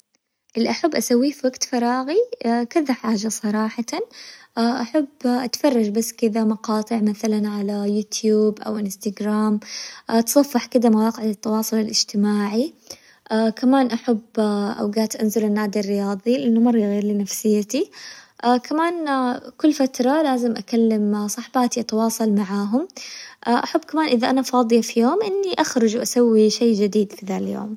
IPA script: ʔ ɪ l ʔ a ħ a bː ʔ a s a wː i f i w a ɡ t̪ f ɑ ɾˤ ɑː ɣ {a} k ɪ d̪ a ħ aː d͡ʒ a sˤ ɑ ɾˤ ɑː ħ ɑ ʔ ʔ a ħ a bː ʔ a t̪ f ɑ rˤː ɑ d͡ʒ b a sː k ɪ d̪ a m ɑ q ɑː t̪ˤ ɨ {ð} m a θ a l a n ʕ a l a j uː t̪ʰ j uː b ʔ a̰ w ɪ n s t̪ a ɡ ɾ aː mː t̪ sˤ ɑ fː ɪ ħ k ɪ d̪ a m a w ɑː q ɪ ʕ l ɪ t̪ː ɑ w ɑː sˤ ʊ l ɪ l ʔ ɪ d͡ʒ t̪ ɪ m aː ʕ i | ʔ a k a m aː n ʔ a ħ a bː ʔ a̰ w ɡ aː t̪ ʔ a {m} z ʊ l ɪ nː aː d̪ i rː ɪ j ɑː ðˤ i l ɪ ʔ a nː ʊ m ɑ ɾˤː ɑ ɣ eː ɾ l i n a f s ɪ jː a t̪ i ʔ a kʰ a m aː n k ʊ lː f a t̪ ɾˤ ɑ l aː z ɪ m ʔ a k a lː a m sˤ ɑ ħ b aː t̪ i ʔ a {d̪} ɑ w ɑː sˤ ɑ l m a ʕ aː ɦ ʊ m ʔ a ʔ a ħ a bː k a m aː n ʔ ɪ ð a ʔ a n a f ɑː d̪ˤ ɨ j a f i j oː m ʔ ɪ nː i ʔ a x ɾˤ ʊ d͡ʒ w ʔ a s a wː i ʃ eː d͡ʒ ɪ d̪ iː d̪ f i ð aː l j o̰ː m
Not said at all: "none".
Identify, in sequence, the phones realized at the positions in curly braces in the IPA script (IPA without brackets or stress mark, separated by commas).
i, ʕ, n, t̪